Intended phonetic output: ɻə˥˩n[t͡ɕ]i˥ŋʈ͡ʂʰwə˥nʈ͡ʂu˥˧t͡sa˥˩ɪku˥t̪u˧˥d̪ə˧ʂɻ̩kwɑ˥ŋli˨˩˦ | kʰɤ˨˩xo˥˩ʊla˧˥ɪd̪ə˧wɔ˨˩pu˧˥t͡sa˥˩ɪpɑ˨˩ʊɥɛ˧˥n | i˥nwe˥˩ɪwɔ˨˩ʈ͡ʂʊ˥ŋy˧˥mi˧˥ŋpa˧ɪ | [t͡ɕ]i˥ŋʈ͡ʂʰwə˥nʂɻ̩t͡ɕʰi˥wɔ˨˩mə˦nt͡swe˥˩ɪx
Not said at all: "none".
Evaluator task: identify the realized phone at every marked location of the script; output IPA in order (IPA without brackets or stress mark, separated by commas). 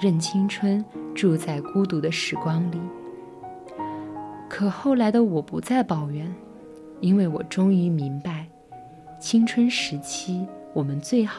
t͡ɕʰ, t͡ɕʰ